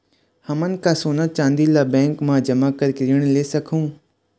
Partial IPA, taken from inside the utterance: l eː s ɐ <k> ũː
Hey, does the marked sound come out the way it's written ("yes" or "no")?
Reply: no